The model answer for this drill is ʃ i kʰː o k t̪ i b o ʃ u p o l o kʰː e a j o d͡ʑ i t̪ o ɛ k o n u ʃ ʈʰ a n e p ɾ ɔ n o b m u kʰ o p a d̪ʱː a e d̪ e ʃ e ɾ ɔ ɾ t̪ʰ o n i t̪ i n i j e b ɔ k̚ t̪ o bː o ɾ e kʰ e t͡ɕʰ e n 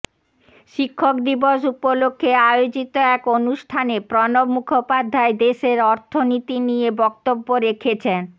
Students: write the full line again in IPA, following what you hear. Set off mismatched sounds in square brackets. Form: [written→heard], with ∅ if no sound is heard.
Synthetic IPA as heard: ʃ i kʰː o k [t̪→d̪] i b o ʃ u p o l o kʰː e a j o d͡ʑ i t̪ o ɛ k o n u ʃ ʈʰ a n e p ɾ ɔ n o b m u kʰ o p a d̪ʱː a e d̪ e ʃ e ɾ ɔ ɾ t̪ʰ o n i t̪ i n i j e b ɔ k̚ t̪ o bː o ɾ e kʰ e t͡ɕʰ e n